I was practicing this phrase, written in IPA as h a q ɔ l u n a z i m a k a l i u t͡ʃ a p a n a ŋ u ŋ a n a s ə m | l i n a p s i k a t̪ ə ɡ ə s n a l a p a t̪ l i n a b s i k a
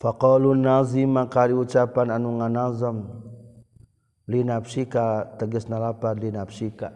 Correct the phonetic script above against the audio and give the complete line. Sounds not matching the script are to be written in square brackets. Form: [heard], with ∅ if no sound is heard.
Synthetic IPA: [f] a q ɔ l u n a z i m a k a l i u t͡ʃ a p a n a [n] u ŋ a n a [z] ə m | l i n a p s i k a t̪ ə ɡ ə s n a l a p a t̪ l i n a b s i k a